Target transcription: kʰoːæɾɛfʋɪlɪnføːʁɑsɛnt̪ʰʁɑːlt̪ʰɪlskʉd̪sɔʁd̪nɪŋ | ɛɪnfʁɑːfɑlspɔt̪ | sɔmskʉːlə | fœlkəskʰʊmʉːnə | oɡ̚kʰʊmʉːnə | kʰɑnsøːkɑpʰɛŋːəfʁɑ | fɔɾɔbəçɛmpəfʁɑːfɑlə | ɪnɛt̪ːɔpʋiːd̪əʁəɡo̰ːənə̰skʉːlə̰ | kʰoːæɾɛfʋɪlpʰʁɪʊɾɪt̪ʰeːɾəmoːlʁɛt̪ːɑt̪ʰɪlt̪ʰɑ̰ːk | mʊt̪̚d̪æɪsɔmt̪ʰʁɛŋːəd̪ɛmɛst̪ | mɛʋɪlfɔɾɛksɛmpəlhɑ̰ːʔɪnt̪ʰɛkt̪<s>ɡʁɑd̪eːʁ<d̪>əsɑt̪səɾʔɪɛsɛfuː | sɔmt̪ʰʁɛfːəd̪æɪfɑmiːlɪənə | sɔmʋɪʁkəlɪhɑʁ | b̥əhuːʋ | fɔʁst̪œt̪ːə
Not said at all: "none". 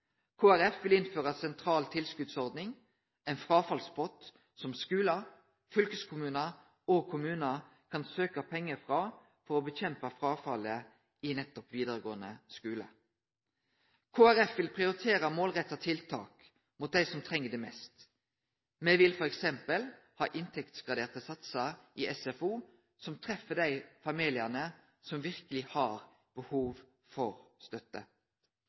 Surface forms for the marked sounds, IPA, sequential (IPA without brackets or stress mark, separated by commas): s, t̪